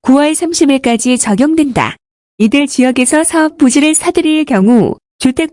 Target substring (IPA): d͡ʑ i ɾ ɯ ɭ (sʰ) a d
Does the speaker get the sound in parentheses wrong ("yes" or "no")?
no